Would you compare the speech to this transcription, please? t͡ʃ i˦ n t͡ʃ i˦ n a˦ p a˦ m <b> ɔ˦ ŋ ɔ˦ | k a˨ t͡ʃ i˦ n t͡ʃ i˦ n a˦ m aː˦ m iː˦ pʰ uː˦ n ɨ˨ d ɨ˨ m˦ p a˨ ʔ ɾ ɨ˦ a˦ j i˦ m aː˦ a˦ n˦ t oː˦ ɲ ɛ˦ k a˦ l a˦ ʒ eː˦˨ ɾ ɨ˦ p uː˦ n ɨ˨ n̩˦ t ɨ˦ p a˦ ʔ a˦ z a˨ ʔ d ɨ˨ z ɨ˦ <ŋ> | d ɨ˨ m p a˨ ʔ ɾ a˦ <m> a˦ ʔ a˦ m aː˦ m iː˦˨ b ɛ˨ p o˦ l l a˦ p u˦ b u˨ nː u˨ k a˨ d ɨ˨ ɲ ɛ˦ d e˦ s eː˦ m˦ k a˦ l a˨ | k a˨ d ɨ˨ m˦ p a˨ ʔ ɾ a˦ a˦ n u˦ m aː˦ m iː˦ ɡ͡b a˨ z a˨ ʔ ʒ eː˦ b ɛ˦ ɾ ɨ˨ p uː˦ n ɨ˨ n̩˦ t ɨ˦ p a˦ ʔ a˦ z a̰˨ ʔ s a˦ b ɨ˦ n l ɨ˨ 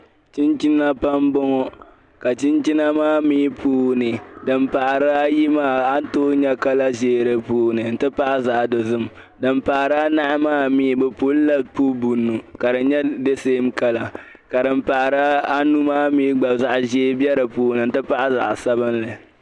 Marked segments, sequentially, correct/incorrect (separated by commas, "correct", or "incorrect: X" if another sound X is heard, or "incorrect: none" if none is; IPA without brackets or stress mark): correct, incorrect: m, incorrect: n